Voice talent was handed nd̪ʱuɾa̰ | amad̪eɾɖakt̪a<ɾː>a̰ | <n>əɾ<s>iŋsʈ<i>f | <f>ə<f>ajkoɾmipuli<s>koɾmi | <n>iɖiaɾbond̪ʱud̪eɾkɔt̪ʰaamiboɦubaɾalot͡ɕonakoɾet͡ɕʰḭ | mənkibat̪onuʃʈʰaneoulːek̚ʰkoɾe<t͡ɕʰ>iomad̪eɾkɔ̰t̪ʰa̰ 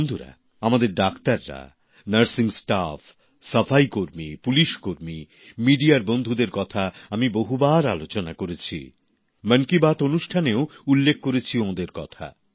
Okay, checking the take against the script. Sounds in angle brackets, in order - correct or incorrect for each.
correct, correct, correct, incorrect, incorrect, correct, incorrect, incorrect, correct

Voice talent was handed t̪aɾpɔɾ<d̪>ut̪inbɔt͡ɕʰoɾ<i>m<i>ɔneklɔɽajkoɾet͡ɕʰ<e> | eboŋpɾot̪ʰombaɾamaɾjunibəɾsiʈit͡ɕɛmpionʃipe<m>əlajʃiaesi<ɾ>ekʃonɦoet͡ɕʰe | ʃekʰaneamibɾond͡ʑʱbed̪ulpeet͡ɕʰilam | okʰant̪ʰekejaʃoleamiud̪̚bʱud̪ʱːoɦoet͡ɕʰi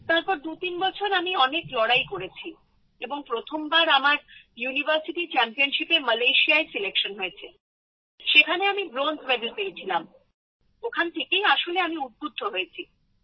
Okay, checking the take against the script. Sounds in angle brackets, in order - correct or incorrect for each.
correct, incorrect, correct, incorrect, correct, incorrect

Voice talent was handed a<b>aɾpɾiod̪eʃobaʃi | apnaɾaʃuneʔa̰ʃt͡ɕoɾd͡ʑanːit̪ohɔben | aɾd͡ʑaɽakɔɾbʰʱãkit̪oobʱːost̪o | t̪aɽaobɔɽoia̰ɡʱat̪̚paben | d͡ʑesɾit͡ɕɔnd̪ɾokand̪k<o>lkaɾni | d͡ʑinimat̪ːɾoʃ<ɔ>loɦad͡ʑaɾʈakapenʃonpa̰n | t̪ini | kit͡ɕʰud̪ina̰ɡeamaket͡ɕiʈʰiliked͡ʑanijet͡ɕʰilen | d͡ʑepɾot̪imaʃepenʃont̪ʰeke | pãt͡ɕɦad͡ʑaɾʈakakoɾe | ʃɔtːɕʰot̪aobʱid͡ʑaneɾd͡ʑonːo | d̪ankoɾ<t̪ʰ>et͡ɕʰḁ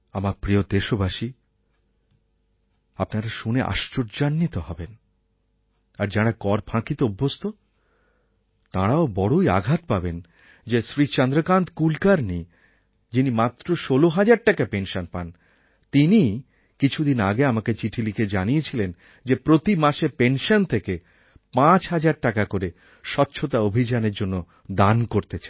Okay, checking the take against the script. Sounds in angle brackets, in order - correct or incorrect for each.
incorrect, incorrect, incorrect, incorrect

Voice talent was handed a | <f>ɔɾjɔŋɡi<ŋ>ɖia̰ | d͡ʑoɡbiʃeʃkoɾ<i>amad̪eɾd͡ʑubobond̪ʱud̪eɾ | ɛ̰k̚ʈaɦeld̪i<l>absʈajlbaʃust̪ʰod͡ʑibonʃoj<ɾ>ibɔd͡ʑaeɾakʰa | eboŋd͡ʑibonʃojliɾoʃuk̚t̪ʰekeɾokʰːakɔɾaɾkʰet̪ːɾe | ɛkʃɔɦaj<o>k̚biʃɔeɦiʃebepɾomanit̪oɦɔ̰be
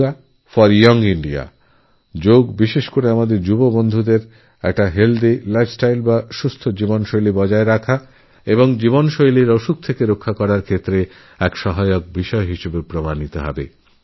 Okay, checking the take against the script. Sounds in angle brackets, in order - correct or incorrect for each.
correct, incorrect, incorrect, correct, incorrect, correct

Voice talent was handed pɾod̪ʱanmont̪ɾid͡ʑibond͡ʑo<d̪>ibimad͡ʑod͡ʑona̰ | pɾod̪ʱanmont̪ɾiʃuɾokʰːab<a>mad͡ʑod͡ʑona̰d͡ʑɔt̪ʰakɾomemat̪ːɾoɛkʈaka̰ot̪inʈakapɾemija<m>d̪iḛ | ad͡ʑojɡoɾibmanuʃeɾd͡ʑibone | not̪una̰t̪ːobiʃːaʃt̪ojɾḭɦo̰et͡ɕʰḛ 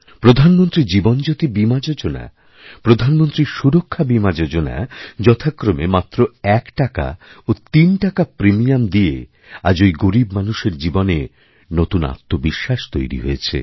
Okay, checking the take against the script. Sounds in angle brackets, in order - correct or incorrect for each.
incorrect, incorrect, correct

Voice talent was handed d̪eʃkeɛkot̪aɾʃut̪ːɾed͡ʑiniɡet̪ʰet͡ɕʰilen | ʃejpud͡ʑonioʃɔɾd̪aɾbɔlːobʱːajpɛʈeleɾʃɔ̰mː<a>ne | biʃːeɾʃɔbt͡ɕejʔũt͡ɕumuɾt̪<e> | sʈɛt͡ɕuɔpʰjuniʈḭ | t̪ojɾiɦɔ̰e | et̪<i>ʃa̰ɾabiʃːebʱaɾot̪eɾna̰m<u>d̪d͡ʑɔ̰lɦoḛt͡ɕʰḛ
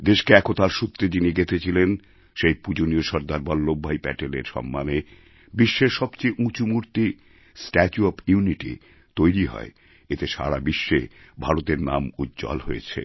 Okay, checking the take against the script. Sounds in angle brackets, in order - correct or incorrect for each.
correct, incorrect, incorrect, correct

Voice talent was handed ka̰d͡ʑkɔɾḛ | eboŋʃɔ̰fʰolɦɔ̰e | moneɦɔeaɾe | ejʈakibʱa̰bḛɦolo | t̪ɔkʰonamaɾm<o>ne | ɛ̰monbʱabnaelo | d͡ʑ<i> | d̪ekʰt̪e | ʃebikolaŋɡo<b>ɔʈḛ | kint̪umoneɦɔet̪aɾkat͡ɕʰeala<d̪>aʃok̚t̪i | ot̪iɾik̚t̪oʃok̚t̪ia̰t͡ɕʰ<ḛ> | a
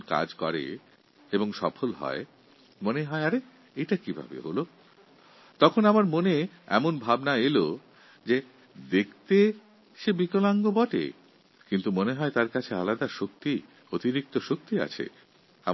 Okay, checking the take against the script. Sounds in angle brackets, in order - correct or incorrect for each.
correct, incorrect, correct, correct, correct

